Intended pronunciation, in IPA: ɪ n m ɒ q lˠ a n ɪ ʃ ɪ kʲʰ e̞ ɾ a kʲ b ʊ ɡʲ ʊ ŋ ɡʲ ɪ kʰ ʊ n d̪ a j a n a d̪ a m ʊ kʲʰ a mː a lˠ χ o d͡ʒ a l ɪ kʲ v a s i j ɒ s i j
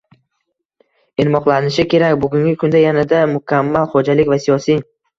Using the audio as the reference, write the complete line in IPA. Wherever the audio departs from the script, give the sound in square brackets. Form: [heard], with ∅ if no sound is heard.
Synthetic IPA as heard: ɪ n m ɒ q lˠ a n ɪ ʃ ɪ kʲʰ e̞ ɾ a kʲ b ʊ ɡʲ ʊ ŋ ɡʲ ɪ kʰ ʊ n d̪ a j a n a d̪ a m ʊ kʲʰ a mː a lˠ χ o d͡ʒ a l ɪ kʲ v a s i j ɒ s i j